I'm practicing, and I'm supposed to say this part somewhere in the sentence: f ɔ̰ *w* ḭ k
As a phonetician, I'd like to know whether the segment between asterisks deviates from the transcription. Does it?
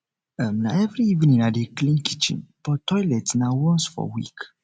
no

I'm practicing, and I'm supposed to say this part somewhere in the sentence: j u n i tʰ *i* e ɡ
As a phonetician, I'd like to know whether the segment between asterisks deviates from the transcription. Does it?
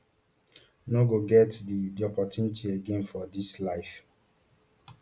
no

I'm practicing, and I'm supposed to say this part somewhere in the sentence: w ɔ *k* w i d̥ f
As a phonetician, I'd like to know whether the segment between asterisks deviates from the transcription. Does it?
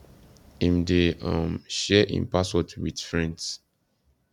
yes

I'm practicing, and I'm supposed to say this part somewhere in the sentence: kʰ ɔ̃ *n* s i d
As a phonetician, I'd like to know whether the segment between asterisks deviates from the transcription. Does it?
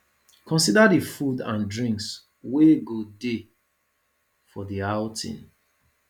no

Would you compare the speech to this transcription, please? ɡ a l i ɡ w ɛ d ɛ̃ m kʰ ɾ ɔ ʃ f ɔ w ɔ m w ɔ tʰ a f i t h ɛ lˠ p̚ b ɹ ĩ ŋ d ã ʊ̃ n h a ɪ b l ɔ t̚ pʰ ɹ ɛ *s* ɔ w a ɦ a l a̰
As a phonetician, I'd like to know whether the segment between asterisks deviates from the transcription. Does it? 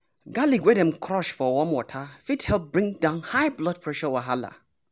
yes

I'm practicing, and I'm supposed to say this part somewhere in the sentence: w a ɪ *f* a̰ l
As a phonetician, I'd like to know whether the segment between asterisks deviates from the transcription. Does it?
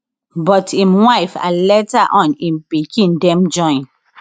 no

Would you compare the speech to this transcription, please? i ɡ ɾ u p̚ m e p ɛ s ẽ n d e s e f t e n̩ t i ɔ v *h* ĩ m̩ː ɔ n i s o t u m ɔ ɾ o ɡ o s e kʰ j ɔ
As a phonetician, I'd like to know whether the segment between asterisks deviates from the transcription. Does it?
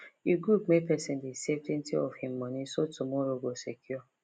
no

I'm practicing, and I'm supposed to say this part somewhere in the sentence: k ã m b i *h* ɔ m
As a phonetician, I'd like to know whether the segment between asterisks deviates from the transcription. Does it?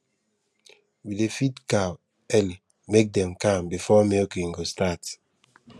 yes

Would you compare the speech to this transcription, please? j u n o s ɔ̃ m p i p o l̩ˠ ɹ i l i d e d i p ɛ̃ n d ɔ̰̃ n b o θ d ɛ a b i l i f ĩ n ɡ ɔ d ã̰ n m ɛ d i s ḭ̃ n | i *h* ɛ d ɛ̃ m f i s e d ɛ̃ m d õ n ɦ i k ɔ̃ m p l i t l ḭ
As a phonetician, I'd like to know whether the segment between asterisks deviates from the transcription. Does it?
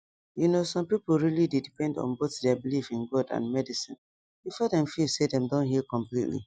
yes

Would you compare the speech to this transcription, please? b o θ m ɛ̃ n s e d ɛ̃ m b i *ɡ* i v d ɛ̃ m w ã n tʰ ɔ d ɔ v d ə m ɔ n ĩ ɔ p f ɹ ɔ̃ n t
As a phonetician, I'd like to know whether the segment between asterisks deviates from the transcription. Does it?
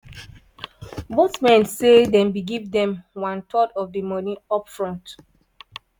no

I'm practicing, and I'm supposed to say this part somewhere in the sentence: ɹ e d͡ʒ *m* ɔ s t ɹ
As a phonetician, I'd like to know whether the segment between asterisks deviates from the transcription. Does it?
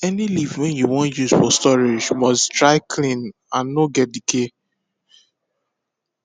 no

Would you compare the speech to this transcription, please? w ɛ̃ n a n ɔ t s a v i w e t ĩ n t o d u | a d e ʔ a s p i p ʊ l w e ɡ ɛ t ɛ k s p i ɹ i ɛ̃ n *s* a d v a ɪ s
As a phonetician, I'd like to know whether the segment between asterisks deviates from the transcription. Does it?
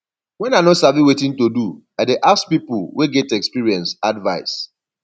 no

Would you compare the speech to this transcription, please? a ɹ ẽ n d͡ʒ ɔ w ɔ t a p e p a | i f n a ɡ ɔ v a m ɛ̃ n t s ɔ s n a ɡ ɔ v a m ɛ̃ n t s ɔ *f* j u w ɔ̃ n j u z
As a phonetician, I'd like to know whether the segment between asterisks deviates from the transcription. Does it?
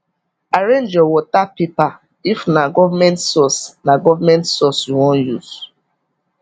yes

